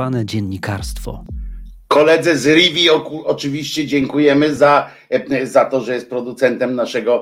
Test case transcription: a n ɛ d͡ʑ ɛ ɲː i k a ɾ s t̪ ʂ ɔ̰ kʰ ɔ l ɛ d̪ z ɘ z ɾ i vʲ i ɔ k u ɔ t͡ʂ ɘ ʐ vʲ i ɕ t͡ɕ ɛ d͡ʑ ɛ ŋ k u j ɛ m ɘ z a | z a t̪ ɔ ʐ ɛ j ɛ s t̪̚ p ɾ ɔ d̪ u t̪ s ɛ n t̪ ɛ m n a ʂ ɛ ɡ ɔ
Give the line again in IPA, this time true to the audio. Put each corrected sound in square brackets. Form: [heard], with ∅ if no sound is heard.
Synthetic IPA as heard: a n ɛ d͡ʑ ɛ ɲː i k a ɾ s t̪ [f] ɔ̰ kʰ ɔ l ɛ d̪ z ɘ z ɾ i vʲ i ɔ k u ɔ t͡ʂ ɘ [∅] vʲ i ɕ t͡ɕ ɛ d͡ʑ ɛ ŋ k u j ɛ m ɘ z a | z a t̪ ɔ ʐ ɛ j ɛ s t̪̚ p ɾ ɔ d̪ u t̪ s ɛ n t̪ ɛ m n a ʂ ɛ ɡ ɔ